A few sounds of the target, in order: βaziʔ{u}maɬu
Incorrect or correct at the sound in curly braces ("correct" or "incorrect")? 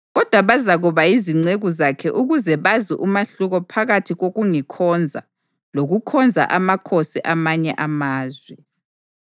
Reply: correct